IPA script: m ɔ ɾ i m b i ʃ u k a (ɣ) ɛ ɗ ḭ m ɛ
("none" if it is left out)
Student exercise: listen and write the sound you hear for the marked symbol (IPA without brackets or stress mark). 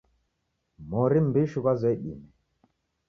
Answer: z